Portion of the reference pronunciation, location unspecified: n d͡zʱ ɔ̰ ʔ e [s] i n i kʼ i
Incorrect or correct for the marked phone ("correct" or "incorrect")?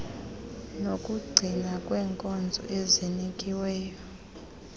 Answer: incorrect